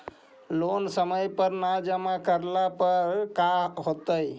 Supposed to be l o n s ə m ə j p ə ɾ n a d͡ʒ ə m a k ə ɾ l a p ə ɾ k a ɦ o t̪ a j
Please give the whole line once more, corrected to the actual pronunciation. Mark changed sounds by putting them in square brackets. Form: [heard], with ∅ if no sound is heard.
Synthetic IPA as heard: l o n s ə m ə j p ə ɾ n a d͡ʒ ə m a k ə ɾ l a p ə ɾ k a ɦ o t̪ [ə] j

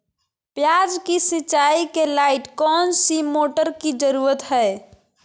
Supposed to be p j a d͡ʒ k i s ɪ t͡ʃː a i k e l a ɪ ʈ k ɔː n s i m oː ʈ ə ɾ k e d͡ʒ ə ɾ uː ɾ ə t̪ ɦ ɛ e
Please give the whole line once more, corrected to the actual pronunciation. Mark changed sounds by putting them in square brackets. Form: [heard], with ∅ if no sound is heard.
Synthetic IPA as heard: p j a d͡ʒ k i s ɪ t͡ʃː a i k e l a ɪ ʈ k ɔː n s i m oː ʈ ə ɾ k [i] d͡ʒ ə ɾ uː ɾ ə t̪ ɦ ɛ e

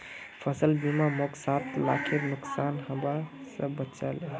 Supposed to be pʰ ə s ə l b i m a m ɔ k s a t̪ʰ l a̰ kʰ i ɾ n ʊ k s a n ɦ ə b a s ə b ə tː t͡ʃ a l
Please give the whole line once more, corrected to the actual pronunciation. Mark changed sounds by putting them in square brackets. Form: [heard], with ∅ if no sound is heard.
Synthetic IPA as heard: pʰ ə s ə l b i m a m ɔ k s a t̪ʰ l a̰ kʰ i ɾ n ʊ k s a n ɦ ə b a s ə b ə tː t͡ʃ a l

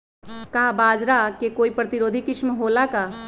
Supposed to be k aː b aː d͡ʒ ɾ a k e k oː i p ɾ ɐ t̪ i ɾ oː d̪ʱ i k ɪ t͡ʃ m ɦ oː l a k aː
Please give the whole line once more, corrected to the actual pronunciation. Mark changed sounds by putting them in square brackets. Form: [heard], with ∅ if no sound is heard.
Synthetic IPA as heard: k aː b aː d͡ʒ ɾ a k e k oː i p ɾ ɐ t̪ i ɾ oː d̪ʱ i k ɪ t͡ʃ m ɦ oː l a k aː

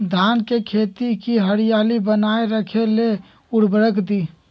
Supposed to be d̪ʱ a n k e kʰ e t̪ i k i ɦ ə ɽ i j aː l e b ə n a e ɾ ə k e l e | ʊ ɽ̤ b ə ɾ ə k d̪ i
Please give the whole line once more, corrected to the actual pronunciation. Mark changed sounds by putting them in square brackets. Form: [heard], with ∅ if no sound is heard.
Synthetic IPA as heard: d̪ʱ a n k e kʰ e t̪ i k i ɦ ə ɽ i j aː l [i] b ə n a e ɾ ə [kʰ] e l e | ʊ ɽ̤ b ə ɾ ə k d̪ i

